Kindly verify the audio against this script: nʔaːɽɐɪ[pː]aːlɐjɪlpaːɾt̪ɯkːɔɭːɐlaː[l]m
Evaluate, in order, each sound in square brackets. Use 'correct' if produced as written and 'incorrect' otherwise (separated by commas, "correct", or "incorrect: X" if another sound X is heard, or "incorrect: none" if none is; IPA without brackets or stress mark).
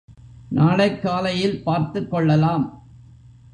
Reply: incorrect: kː, incorrect: none